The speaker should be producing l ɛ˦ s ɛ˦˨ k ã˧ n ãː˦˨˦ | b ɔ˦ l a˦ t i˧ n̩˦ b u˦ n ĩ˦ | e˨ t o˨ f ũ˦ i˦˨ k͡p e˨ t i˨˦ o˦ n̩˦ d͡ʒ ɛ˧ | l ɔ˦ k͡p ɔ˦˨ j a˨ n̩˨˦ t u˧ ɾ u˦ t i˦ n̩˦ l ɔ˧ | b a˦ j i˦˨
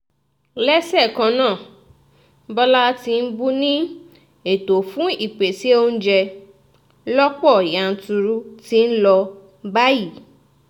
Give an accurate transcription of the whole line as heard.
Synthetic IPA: l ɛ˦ s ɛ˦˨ k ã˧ n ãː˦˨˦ | b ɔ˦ l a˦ t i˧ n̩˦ b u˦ n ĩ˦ | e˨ t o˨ f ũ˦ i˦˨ k͡p e˨ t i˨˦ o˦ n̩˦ d͡ʒ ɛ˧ | l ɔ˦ k͡p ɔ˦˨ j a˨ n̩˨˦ t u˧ ɾ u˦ t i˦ n̩˦ l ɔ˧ | b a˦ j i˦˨